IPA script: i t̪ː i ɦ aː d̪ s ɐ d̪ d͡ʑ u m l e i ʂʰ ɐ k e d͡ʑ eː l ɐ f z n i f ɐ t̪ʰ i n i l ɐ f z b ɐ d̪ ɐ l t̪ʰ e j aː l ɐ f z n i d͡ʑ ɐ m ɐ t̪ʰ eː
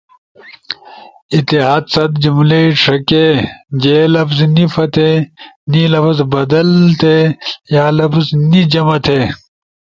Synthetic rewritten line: i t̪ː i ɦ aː d̪ s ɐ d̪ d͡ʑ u m l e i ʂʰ ɐ k e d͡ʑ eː l ɐ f z n i f ɐ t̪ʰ e n i l ɐ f z b ɐ d̪ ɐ l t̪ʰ e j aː l ɐ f z n i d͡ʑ ɐ m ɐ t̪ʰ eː